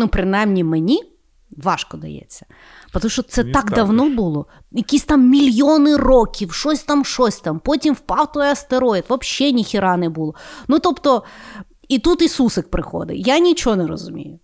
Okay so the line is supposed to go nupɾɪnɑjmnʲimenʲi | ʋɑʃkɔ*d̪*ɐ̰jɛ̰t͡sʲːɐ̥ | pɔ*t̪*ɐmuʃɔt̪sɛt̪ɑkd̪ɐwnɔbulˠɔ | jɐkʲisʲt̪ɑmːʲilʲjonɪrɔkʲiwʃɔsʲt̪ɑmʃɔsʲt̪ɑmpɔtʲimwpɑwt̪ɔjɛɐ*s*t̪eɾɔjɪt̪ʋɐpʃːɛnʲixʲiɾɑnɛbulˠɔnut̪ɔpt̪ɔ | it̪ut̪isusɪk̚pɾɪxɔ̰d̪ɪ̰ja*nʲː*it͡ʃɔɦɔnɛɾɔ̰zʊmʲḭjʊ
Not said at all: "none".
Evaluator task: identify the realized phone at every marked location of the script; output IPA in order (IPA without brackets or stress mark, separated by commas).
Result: d̪, t̪, s, nʲ